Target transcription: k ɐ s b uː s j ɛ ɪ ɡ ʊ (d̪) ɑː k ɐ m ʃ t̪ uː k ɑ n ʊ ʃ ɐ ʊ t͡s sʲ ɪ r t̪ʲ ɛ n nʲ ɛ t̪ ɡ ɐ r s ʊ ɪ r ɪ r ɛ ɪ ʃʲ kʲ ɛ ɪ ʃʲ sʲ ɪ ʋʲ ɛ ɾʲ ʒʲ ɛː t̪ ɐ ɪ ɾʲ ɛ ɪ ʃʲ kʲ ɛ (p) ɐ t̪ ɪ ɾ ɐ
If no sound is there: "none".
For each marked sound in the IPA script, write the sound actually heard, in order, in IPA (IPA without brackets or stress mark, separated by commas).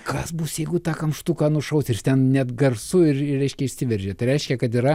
t̪, k